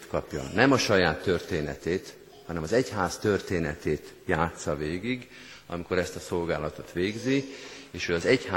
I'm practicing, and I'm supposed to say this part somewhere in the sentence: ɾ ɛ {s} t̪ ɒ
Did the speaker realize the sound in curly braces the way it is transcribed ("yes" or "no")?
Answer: yes